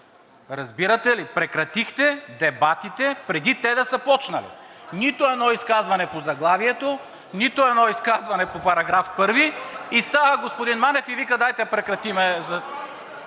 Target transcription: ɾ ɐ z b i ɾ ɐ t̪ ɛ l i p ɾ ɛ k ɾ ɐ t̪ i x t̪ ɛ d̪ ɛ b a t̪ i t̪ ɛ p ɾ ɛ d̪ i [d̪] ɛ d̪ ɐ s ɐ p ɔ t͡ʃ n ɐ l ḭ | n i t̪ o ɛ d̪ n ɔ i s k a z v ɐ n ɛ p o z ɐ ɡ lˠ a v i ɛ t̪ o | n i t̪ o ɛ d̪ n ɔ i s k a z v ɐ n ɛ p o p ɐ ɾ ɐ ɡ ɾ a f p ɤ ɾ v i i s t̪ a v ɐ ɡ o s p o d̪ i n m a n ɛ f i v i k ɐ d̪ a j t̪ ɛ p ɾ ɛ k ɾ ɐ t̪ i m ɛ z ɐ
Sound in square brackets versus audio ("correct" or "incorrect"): incorrect